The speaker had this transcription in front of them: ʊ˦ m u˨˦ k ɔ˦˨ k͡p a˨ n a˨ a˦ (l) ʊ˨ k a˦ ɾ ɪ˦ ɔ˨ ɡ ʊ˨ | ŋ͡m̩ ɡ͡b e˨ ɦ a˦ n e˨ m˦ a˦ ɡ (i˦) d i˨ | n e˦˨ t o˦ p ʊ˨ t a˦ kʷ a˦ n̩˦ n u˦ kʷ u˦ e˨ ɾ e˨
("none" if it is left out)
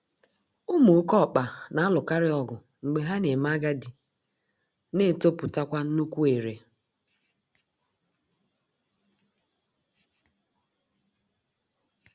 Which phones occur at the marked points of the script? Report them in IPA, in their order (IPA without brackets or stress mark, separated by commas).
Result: l, a˦